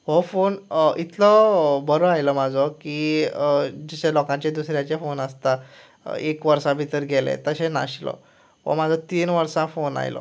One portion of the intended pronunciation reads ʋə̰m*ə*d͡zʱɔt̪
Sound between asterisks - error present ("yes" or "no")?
yes